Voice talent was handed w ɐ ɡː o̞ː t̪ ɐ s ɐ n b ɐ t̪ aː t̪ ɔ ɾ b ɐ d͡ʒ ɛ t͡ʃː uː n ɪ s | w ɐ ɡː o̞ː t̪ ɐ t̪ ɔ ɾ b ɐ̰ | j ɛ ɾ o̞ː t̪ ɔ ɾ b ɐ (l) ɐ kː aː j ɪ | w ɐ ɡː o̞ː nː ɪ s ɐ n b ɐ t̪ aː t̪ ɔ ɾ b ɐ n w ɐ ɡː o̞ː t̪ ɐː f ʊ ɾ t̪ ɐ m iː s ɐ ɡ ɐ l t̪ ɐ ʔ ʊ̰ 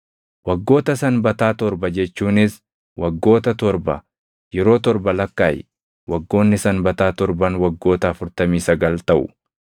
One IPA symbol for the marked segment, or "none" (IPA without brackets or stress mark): l